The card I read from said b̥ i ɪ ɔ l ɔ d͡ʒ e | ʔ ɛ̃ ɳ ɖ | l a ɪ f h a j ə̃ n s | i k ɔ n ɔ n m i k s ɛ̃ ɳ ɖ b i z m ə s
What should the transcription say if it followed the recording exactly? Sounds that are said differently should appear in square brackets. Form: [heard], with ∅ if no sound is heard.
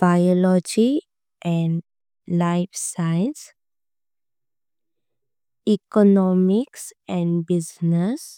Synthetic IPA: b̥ [a] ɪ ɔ l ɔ d͡ʒ [i] | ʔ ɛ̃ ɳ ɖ | l a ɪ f [s] a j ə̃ n s | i k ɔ n ɔ [∅] m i k s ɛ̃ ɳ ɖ b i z [n] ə s